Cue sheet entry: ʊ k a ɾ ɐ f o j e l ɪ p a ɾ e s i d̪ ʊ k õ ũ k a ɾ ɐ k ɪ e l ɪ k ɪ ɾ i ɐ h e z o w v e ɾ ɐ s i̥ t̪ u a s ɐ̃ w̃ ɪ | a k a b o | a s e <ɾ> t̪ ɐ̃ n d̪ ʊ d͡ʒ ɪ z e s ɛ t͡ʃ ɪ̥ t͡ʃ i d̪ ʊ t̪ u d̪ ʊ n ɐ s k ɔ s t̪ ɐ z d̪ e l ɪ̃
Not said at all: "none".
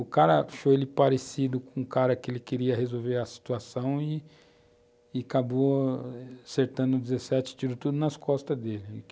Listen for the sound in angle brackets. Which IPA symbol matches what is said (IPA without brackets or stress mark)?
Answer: ɾ